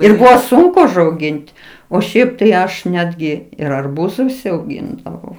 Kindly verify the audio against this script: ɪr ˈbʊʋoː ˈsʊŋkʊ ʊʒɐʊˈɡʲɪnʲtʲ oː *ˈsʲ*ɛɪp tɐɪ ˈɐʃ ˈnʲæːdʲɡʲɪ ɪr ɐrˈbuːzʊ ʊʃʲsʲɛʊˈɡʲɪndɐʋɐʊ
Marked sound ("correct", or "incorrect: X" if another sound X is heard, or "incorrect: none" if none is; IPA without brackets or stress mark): incorrect: ʃʲ